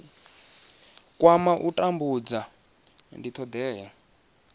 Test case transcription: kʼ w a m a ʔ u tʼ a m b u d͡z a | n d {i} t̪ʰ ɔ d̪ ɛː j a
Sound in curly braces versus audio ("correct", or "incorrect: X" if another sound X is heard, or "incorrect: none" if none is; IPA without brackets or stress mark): correct